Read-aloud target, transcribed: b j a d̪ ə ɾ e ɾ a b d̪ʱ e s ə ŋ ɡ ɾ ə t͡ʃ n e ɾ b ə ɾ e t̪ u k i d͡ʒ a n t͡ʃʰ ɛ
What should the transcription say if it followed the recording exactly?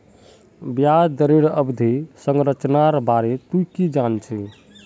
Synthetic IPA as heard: b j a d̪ ə ɾ e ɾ ə b d̪ʱ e s ə ŋ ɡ ɾ ə t͡ʃ n a ɾ b a ɾ e t̪ u k i d͡ʒ a n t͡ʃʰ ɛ